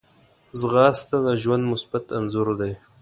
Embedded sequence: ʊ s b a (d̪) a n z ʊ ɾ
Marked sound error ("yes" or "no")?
yes